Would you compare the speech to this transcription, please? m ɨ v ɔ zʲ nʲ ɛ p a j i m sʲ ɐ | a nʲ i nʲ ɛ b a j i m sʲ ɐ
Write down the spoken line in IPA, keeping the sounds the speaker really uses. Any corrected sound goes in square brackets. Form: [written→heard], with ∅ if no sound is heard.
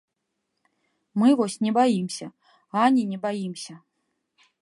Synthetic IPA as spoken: m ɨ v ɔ [zʲ→sʲ] nʲ ɛ [p→b] a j i m sʲ ɐ | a nʲ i nʲ ɛ b a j i m sʲ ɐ